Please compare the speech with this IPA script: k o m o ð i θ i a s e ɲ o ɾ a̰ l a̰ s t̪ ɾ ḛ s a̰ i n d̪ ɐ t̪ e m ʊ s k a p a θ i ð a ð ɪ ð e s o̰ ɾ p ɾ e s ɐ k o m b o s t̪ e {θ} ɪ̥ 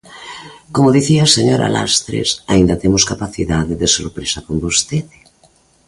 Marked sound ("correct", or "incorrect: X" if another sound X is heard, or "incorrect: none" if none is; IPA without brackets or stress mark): incorrect: ð